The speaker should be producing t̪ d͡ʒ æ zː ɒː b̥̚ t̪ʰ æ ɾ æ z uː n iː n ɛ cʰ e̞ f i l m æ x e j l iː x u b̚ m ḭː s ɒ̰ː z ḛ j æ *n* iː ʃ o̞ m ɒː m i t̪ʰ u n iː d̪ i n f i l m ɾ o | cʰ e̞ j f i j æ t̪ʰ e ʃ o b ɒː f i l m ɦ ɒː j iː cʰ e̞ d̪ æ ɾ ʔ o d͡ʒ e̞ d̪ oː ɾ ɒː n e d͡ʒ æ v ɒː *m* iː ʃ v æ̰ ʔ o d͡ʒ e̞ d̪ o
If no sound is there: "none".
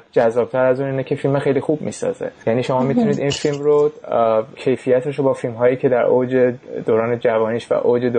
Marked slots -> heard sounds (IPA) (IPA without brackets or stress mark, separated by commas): n, n